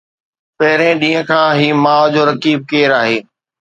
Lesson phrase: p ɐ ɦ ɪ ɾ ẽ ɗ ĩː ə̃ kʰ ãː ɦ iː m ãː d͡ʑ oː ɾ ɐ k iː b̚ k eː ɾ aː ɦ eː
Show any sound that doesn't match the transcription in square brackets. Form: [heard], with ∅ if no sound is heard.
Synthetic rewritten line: p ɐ ɦ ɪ ɾ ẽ ɗ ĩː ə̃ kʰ ãː ɦ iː m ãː d͡ʑ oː ɾ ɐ k iː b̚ k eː ɾ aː ɦ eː